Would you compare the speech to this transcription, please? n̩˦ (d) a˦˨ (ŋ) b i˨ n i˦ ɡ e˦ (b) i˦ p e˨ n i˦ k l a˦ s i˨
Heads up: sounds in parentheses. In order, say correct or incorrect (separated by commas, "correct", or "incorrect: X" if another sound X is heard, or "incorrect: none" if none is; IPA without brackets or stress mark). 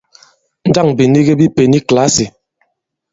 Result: correct, correct, correct